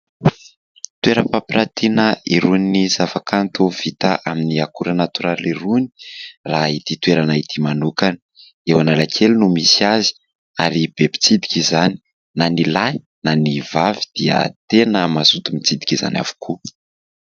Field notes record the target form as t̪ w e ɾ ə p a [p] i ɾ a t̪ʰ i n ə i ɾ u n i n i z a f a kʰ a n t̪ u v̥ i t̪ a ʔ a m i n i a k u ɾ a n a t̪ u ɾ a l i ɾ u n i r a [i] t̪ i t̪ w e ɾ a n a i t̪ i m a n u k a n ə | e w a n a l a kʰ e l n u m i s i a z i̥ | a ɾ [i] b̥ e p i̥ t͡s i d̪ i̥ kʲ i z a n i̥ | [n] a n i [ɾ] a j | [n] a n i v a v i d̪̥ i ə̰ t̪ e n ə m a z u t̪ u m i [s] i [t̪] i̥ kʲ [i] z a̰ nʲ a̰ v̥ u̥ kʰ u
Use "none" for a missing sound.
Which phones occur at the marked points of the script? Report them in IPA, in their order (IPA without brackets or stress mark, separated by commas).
p, i, i, n, l, n, t͡s, d̪, i